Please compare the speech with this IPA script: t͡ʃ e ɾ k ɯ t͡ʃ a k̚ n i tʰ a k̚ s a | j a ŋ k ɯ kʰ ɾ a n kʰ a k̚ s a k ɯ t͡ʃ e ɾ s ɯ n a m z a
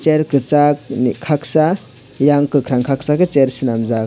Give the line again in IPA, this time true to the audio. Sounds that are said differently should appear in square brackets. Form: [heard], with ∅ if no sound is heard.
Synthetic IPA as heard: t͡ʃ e ɾ k ɯ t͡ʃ a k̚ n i [kʰ] a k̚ s a | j a ŋ k ɯ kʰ ɾ a [ŋ] kʰ a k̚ s a k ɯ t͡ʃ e ɾ s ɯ n a m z a